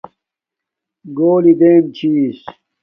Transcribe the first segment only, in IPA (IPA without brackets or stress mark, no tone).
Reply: ɡ